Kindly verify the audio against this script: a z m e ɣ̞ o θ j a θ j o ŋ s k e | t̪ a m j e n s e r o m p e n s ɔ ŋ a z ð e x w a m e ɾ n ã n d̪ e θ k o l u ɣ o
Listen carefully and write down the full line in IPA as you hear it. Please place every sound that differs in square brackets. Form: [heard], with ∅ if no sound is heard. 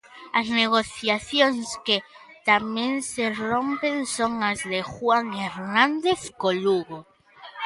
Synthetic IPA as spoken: a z [n] e ɣ̞ o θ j a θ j o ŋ s k e | t̪ a m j e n s e r o m p e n s [o] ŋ a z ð e x w a [ŋ] e ɾ n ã n d̪ e θ k o l u ɣ o